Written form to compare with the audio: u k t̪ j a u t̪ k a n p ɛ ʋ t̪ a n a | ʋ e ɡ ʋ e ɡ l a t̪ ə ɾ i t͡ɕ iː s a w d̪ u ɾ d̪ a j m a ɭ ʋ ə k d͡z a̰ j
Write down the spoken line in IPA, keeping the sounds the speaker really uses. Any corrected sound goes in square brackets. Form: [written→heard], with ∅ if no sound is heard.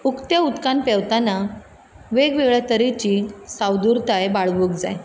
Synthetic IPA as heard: u k t̪ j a u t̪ k a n p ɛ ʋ t̪ a n a | ʋ e ɡ ʋ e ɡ [l→ɭ] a t̪ ə ɾ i t͡ɕ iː s a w d̪ u ɾ [d̪→t̪] a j [m→b] a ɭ ʋ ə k d͡z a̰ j